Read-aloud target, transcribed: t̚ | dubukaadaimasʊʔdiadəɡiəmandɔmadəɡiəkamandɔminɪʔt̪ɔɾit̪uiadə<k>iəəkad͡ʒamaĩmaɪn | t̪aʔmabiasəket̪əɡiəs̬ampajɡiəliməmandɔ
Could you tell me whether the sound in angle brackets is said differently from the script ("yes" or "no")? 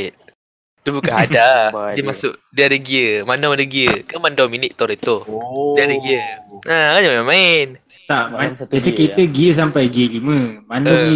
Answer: yes